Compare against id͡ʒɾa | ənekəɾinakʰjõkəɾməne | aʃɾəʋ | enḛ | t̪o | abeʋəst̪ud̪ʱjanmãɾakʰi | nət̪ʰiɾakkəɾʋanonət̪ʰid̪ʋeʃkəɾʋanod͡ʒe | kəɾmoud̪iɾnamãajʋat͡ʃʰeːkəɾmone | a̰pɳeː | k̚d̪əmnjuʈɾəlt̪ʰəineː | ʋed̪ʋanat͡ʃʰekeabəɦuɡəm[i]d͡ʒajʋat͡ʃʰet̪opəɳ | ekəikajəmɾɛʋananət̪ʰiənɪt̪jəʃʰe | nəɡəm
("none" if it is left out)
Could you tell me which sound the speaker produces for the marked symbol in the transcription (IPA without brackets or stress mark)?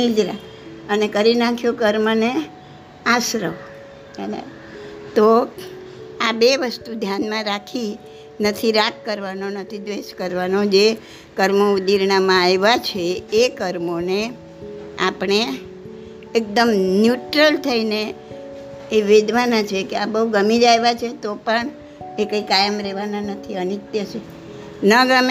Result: i